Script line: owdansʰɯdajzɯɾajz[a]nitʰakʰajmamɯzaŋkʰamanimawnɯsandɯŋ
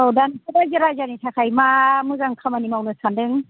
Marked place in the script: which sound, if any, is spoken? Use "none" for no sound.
a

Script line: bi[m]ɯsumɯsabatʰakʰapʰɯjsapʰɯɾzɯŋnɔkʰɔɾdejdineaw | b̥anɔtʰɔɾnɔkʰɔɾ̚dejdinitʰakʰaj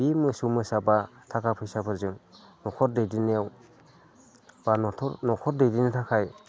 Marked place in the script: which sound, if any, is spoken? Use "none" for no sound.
m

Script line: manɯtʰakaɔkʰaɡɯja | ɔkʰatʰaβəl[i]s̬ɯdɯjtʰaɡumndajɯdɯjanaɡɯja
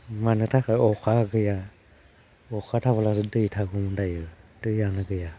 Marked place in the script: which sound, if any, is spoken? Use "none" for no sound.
a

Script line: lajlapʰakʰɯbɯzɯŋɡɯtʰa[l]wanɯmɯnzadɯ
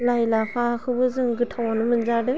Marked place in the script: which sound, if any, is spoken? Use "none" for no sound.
none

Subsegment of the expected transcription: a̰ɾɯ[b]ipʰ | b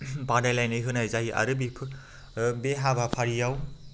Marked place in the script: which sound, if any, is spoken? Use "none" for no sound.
b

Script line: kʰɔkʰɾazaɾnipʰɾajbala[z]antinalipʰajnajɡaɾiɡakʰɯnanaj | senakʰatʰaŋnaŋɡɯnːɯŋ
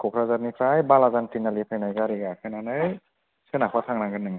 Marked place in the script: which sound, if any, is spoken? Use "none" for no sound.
z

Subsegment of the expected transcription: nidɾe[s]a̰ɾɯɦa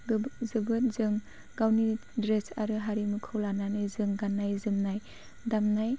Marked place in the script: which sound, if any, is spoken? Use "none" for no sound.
s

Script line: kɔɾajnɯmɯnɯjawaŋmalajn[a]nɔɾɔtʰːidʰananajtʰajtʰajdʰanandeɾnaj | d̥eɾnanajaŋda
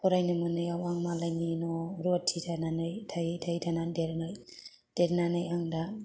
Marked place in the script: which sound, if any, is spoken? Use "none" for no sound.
i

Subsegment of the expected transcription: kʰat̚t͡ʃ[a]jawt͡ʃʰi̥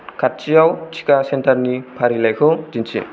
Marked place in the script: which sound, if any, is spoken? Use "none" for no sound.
i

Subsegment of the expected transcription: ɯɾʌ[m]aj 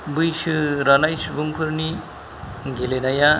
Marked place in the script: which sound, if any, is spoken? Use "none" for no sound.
n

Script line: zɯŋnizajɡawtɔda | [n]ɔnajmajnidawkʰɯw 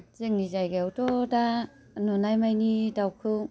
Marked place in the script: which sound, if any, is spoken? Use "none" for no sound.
n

